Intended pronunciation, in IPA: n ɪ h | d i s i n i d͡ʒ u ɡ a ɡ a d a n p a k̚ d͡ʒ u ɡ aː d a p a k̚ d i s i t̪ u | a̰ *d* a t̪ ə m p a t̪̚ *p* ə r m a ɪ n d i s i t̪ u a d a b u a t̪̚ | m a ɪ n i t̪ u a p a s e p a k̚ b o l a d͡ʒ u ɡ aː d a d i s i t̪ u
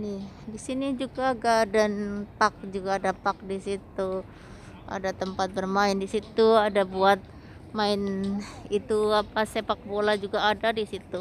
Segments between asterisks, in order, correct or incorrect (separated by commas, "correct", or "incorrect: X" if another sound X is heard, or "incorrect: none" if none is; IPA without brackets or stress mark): correct, incorrect: b